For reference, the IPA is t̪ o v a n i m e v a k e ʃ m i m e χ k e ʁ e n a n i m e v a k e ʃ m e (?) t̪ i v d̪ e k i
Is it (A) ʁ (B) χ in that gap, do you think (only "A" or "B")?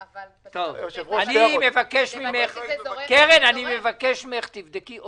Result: B